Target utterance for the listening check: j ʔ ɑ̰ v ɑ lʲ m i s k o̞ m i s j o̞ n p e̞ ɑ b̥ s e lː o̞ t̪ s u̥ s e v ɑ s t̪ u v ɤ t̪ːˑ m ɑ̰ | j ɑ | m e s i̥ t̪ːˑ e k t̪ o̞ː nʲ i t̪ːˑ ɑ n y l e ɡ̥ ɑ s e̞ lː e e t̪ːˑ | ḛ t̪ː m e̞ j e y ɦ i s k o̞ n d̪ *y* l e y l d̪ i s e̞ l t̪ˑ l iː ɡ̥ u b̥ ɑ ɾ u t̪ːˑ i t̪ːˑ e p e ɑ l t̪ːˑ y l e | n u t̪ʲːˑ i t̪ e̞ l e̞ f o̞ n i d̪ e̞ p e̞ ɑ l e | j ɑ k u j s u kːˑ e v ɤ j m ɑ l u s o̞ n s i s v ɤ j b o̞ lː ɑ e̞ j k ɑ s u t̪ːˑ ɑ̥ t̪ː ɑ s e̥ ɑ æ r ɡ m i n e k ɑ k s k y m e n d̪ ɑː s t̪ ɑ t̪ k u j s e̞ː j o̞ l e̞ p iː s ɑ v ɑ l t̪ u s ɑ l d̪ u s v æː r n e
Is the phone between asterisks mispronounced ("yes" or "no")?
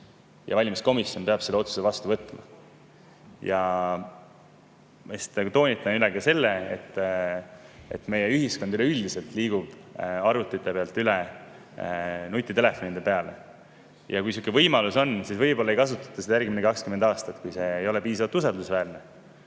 no